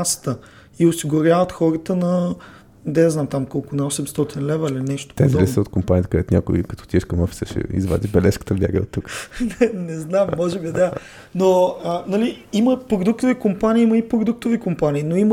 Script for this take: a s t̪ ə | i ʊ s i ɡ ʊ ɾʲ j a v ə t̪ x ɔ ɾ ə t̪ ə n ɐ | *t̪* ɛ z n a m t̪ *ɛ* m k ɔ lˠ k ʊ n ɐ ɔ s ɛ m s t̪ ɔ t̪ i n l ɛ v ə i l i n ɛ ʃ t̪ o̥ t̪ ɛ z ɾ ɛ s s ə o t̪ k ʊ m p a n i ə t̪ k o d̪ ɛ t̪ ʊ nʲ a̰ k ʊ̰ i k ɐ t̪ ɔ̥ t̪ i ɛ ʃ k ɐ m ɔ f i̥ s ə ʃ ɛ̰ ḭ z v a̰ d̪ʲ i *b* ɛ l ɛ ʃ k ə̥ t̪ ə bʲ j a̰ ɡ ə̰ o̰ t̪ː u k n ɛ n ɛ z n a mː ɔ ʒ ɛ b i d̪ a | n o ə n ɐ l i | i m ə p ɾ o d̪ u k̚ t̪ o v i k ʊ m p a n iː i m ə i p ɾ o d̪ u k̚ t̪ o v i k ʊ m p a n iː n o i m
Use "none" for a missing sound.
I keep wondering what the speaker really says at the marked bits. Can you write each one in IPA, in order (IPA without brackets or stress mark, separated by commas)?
d̪, a, b